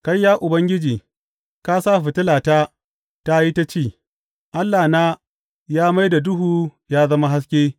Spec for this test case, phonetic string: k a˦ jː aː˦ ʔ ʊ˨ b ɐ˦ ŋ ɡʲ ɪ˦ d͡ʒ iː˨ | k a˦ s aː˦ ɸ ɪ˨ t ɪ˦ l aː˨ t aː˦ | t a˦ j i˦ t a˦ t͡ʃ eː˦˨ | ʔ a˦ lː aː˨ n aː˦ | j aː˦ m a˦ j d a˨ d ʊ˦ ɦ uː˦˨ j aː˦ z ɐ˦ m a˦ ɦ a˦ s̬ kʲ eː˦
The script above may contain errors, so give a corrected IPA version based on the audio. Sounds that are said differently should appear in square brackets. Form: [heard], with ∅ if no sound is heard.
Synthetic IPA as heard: k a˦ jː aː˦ ʔ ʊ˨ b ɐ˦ ŋ ɡʲ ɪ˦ d͡ʒ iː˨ | k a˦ s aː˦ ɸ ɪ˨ t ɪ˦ l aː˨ t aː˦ | t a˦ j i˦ t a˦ t͡ʃ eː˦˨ | ʔ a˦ lː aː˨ n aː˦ | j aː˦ m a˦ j d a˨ d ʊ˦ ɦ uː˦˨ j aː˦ z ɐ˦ m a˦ ɦ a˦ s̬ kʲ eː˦